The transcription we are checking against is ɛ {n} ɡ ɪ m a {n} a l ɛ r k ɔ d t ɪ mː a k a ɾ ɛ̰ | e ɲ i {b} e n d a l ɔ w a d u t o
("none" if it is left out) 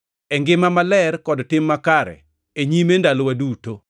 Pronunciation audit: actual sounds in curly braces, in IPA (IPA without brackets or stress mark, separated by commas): ŋ, m, m